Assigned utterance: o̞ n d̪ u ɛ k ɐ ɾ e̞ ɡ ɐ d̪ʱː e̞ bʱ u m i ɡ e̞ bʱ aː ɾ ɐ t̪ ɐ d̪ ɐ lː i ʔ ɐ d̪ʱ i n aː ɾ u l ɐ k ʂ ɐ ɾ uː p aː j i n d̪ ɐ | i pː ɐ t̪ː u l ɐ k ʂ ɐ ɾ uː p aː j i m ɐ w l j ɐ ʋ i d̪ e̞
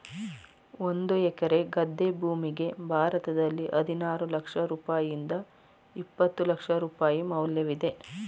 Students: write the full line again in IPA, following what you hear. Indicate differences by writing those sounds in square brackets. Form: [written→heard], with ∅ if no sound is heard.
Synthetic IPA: o̞ n d̪ u ɛ k ɐ ɾ e̞ ɡ ɐ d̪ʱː e̞ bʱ [u→uː] m i ɡ e̞ bʱ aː ɾ ɐ t̪ ɐ d̪ ɐ lː i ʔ ɐ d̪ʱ i n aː ɾ u l ɐ k ʂ ɐ ɾ uː p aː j i n d̪ ɐ | i pː ɐ t̪ː u l ɐ k ʂ ɐ ɾ uː p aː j i m ɐ w l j ɐ ʋ i d̪ e̞